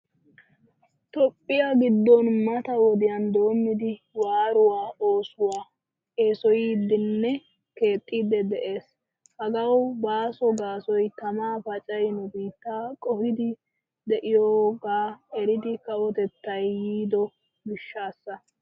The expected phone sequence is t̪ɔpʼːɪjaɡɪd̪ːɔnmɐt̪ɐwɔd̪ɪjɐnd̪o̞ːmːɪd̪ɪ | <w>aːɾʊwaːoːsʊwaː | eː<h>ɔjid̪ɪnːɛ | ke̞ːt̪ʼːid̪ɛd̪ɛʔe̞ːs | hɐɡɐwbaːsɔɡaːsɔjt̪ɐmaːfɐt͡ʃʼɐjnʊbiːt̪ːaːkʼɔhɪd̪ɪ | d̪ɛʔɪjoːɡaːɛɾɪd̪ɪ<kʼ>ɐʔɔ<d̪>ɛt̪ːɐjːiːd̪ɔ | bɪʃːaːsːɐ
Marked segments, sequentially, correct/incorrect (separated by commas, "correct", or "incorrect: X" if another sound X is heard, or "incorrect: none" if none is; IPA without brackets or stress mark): correct, incorrect: s, incorrect: k, incorrect: t̪